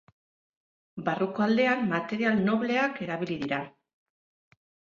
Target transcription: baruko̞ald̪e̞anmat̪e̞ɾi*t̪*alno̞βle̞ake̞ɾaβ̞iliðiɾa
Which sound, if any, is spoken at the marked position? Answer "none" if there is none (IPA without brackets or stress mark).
none